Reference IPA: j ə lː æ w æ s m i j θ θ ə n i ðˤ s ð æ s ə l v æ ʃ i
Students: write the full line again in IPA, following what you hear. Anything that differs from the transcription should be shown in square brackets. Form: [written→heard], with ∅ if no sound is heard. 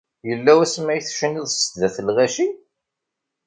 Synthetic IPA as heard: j ə lː æ w æ s m [i→æ] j θ [θ→ʃ] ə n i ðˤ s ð æ [s→θ] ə l [v→ʁ] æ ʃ i